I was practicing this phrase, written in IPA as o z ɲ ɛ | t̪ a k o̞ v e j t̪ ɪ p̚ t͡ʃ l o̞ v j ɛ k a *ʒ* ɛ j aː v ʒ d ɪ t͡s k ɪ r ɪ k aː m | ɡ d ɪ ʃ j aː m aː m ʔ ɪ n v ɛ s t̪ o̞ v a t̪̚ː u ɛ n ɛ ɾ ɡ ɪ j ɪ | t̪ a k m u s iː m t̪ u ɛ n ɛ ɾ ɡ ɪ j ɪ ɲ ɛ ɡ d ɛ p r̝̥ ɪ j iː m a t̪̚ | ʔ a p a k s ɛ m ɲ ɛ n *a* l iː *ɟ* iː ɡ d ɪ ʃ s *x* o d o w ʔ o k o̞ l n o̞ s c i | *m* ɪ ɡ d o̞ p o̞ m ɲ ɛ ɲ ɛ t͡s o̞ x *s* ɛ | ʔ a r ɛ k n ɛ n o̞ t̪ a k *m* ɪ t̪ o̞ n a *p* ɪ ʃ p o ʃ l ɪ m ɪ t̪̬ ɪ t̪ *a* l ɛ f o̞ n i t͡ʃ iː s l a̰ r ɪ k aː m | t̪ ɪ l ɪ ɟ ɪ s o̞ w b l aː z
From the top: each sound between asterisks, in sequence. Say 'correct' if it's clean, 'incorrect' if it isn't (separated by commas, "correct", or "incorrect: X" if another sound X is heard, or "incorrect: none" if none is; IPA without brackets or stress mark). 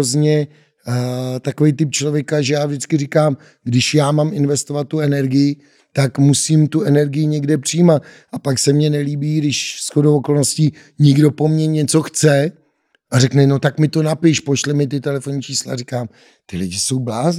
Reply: correct, incorrect: ɛ, incorrect: b, correct, incorrect: ɲ, incorrect: t͡s, correct, correct, incorrect: ɛ